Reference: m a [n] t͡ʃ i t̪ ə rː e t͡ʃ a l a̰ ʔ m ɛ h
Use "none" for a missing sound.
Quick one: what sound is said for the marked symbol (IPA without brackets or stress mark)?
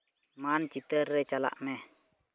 n